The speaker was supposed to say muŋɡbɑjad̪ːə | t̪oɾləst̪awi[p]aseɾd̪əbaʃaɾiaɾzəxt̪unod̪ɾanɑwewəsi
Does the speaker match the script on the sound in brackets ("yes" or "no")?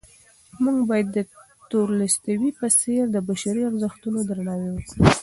yes